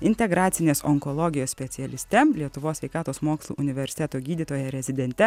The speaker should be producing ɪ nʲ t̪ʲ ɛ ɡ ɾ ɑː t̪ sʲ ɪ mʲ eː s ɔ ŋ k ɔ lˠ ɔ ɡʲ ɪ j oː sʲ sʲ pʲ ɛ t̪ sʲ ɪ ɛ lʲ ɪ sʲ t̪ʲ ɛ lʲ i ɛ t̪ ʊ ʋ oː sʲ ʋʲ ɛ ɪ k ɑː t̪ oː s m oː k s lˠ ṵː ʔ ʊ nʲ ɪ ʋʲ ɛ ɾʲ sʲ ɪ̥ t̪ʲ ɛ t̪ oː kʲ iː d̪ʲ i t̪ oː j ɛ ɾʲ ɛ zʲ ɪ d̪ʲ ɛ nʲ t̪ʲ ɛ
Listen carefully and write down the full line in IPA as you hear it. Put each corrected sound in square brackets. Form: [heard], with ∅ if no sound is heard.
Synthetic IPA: ɪ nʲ t̪ʲ ɛ ɡ ɾ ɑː t̪ sʲ ɪ [nʲ] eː s ɔ ŋ k ɔ lˠ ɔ ɡʲ ɪ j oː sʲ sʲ pʲ ɛ t̪ sʲ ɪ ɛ lʲ ɪ sʲ t̪ʲ ɛ lʲ i ɛ t̪ ʊ ʋ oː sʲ ʋʲ ɛ ɪ k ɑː t̪ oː s m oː k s lˠ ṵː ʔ ʊ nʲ ɪ ʋʲ ɛ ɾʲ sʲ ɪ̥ t̪ʲ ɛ t̪ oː [ɡʲ] iː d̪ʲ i t̪ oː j ɛ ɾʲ ɛ zʲ ɪ d̪ʲ ɛ nʲ t̪ʲ ɛ

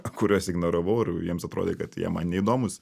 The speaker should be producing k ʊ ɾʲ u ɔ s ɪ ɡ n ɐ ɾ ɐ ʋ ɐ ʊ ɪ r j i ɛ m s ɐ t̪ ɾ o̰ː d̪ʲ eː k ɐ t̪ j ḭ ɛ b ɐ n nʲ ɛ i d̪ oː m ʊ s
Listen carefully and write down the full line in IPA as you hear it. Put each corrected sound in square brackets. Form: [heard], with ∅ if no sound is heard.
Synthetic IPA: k ʊ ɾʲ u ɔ s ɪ ɡ n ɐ ɾ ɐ ʋ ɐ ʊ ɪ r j i ɛ m s ɐ t̪ ɾ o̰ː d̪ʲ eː k ɐ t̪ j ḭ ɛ [m] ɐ n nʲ ɛ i d̪ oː m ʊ s

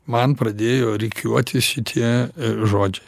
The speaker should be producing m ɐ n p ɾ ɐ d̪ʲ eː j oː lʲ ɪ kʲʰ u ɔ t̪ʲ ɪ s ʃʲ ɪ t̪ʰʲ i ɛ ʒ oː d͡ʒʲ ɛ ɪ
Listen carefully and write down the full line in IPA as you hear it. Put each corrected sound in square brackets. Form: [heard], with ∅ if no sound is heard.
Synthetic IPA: m ɐ n p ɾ ɐ d̪ʲ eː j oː [ɾʲ] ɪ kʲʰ u ɔ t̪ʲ ɪ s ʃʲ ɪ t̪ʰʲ i ɛ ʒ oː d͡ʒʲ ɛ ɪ

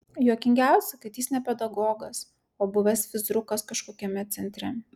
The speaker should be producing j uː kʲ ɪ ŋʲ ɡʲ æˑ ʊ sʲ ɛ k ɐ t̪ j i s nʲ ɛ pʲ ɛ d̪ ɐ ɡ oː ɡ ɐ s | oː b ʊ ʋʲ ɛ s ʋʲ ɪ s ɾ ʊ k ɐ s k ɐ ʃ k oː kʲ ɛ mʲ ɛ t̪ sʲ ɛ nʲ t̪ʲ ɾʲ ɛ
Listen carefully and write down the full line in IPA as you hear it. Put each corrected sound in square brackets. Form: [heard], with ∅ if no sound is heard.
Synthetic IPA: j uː kʲ ɪ ŋʲ ɡʲ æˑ ʊ sʲ ɛ k ɐ t̪ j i s nʲ ɛ pʲ ɛ d̪ ɐ ɡ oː ɡ ɐ s | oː b ʊ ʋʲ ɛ s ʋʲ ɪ [z] ɾ ʊ k ɐ s k ɐ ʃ k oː kʲ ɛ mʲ ɛ t̪ sʲ ɛ nʲ t̪ʲ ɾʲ ɛ

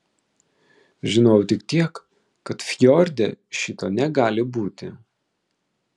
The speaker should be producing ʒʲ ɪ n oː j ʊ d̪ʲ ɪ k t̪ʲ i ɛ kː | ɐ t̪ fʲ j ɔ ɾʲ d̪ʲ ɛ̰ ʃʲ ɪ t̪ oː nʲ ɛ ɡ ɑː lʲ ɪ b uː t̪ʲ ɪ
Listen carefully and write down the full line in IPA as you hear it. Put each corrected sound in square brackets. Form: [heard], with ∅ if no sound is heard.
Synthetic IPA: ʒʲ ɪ n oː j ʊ [t̪ʲ] ɪ k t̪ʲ i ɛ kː | ɐ t̪ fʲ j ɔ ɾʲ d̪ʲ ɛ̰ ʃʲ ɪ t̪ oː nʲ ɛ ɡ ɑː lʲ ɪ b uː t̪ʲ ɪ

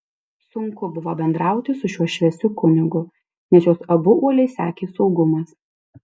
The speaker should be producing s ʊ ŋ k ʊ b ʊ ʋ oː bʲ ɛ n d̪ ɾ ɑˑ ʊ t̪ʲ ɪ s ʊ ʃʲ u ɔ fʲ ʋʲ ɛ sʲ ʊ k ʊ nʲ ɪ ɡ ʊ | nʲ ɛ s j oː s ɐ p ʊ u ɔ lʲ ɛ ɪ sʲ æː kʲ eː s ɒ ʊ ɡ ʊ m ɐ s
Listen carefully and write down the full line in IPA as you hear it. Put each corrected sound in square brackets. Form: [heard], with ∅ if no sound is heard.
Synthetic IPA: s ʊ ŋ k ʊ b ʊ ʋ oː bʲ ɛ n d̪ ɾ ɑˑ ʊ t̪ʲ ɪ s ʊ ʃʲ u ɔ [ʃʲ] ʋʲ ɛ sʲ ʊ k ʊ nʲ ɪ ɡ ʊ | nʲ ɛ s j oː s ɐ [b] ʊ u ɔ lʲ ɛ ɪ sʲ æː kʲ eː s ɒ ʊ ɡ ʊ m ɐ s

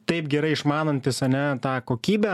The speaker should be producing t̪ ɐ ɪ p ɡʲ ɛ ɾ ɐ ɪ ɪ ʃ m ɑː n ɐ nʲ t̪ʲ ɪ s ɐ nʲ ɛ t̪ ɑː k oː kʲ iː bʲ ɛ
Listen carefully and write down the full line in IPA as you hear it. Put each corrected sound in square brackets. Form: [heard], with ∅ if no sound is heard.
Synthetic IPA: t̪ ɐ ɪ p ɡʲ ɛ ɾ ɐ ɪ ɪ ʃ m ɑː n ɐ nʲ t̪ʲ ɪ s ɐ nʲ ɛ t̪ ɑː k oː kʲ iː bʲ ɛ

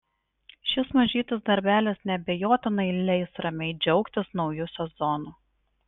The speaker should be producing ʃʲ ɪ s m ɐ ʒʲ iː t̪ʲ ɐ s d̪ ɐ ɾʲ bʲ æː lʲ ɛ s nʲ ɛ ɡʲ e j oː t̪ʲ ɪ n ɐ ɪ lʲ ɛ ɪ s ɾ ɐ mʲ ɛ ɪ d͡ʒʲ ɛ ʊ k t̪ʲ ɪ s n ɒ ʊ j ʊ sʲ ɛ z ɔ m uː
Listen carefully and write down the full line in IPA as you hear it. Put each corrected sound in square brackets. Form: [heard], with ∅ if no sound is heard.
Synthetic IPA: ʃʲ ɪ s m ɐ ʒʲ iː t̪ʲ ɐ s d̪ ɐ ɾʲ bʲ æː lʲ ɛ s nʲ ɛ [bʲ] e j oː t̪ʲ ɪ n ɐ ɪ lʲ ɛ ɪ s ɾ ɐ mʲ ɛ ɪ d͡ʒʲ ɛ ʊ k t̪ʲ ɪ s n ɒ ʊ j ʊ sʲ ɛ z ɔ [n] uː

